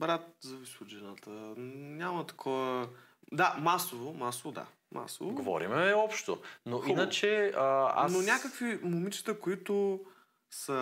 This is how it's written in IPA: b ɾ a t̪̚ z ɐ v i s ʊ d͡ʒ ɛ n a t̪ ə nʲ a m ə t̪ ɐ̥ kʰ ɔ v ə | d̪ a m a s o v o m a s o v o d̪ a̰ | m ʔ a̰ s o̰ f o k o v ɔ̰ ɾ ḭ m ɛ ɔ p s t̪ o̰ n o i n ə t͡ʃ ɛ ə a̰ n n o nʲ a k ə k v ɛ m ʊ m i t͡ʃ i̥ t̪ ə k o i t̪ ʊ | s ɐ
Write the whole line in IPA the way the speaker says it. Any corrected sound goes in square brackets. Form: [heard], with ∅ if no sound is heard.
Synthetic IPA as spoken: b ɾ a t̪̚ z ɐ v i s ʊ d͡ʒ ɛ n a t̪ ə nʲ a m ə t̪ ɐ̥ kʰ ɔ v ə | d̪ a m a s o v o m a s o v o d̪ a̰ | m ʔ a̰ s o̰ [v] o [ɡ] o v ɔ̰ ɾ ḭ m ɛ ɔ p [ʃ] t̪ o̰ n o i n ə t͡ʃ ɛ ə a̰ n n o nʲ a k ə k v [i] m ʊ m i t͡ʃ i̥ t̪ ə k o i t̪ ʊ | s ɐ